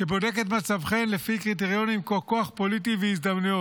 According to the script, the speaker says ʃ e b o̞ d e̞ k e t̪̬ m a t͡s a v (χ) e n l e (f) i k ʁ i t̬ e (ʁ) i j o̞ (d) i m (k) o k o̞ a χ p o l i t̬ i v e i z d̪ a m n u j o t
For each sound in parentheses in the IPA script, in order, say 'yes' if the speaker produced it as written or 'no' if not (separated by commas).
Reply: yes, yes, yes, no, yes